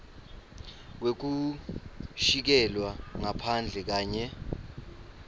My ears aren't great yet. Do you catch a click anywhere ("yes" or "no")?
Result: no